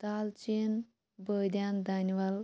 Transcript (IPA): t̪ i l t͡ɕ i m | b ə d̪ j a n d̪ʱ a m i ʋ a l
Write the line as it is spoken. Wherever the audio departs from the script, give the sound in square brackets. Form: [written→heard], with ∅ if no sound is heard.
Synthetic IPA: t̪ [i→a] l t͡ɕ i [m→n] | b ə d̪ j a n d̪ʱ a [m→n] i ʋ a l